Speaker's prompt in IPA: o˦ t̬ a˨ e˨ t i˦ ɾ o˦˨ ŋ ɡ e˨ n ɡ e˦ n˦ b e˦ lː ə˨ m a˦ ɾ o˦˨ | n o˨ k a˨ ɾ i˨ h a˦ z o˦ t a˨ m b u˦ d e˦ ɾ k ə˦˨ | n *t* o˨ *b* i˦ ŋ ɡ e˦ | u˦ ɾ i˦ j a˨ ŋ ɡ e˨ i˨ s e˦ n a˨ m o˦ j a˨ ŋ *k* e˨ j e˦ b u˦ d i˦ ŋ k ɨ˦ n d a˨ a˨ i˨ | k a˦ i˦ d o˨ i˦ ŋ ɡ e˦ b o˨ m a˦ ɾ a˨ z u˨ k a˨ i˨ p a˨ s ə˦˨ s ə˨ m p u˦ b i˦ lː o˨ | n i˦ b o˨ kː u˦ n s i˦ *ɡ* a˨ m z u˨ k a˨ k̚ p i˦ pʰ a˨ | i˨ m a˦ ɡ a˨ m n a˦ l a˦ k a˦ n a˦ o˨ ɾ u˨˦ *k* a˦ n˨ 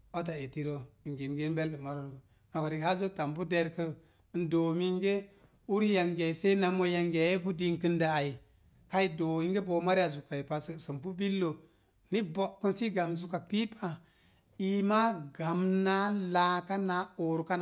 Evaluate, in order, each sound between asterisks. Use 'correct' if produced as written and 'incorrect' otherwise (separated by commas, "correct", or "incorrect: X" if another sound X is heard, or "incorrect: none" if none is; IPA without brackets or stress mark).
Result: incorrect: d, incorrect: m, incorrect: ɡ, correct, correct